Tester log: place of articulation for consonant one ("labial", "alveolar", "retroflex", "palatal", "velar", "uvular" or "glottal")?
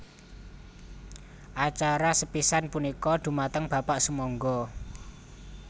glottal